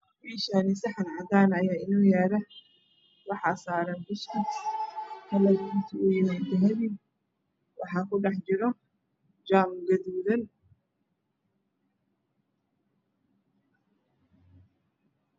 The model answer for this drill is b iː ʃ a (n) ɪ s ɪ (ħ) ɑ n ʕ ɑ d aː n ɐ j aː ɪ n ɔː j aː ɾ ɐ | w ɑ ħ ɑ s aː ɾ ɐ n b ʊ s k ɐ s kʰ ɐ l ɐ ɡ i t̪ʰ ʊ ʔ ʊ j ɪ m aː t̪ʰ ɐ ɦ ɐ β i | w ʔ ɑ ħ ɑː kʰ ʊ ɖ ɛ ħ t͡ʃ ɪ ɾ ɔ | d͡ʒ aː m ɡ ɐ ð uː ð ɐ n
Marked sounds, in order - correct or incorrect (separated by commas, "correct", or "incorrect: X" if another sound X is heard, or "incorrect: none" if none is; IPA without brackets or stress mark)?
correct, correct